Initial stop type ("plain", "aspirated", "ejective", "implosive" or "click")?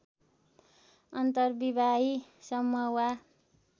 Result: plain